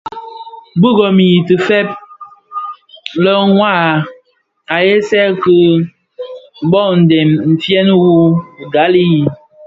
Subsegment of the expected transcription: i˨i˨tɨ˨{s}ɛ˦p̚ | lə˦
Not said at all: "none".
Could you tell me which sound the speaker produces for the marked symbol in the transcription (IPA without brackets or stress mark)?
f